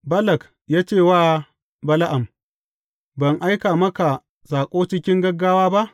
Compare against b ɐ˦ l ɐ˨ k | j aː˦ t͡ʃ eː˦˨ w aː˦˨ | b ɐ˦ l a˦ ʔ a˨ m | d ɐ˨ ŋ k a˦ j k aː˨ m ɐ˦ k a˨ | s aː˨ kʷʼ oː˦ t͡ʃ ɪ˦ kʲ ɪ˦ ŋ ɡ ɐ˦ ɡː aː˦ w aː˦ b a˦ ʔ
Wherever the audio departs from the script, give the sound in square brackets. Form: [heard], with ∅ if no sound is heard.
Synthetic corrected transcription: b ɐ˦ l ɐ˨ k | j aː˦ t͡ʃ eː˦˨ w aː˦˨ | b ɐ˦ l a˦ ʔ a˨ m | [b] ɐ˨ ŋ [ʔ] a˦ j k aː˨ m ɐ˦ k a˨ | s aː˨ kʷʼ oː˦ t͡ʃ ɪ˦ kʲ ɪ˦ ŋ ɡ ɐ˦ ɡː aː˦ w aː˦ b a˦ ʔ